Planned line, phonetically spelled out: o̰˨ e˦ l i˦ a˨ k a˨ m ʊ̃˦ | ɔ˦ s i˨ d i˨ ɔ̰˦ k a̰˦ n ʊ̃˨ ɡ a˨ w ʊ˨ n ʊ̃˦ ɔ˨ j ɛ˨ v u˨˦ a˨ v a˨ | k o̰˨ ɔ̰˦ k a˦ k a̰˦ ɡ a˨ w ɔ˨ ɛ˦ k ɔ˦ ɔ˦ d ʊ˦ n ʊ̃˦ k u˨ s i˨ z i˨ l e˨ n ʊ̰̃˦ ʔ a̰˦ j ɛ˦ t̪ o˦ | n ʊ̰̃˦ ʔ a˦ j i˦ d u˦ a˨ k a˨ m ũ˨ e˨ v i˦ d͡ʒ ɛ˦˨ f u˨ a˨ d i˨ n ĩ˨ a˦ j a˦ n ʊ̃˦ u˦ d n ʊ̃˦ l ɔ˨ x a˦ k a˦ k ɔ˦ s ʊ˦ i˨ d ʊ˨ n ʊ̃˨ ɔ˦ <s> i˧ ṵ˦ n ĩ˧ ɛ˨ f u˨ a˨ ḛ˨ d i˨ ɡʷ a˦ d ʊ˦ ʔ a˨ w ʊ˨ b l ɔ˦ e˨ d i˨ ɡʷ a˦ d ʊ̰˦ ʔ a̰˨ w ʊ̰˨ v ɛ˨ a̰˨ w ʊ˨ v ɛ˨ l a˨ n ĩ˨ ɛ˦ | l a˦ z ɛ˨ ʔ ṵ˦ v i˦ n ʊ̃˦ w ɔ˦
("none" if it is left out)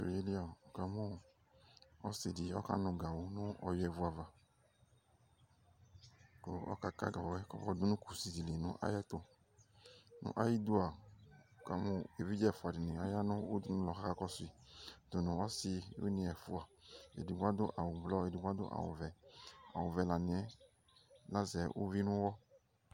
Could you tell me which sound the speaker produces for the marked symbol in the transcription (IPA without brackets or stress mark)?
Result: s